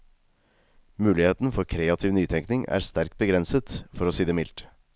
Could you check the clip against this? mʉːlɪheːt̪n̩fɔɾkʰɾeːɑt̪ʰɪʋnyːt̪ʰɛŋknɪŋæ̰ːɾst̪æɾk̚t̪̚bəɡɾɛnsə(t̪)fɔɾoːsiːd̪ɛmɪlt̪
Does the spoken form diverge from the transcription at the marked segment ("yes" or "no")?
no